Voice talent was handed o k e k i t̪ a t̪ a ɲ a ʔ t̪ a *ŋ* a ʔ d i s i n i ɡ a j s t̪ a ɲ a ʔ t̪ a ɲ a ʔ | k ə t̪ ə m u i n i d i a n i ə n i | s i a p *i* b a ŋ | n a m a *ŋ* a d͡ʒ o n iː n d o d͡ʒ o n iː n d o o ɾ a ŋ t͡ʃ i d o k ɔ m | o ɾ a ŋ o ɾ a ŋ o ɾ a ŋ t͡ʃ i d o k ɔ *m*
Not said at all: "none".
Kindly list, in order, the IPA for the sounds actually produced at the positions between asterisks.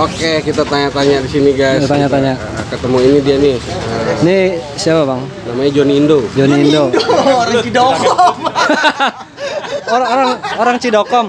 ɲ, a, ɲ, m

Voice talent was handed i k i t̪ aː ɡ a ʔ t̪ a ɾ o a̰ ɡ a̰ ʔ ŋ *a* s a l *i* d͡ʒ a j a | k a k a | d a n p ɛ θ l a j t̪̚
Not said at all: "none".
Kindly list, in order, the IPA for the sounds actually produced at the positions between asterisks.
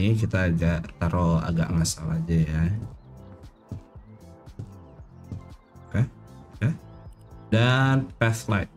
a, a

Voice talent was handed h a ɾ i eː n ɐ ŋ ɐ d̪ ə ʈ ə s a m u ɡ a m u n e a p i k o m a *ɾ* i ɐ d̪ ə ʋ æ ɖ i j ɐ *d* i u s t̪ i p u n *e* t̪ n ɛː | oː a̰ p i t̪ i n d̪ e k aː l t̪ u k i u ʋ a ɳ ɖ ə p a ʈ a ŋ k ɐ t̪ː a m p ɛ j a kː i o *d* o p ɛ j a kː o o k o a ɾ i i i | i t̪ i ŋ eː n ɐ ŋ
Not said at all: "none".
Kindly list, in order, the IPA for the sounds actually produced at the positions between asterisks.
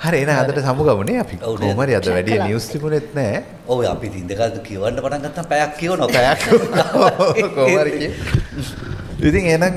ɾ, n, e, n

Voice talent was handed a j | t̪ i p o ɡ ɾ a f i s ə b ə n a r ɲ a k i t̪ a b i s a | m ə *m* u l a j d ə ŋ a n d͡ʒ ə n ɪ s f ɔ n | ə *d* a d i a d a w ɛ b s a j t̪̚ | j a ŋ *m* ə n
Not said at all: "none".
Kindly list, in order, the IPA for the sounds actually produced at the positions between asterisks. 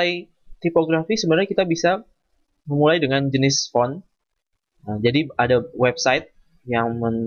m, d͡ʒ, m

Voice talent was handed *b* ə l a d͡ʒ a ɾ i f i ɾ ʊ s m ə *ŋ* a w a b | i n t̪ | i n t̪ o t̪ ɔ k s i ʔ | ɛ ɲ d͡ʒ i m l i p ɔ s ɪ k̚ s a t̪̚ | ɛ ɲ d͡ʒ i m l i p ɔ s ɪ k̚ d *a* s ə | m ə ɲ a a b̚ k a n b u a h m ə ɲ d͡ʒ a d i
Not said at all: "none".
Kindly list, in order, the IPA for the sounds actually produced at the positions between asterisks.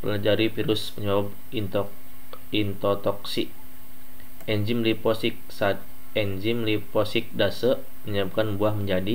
p, ɲ, a

